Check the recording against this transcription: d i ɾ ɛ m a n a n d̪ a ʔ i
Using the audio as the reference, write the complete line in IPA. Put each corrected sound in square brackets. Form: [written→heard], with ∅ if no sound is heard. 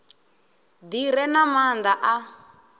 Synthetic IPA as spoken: d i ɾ ɛ [m→n] a [n→m] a n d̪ a ʔ [i→a]